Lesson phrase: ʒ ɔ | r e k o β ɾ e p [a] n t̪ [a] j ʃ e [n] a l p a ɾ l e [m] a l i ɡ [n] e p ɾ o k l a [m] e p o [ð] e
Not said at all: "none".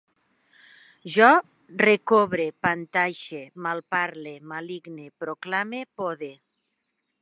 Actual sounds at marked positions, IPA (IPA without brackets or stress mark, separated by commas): a, a, m, m, n, m, ð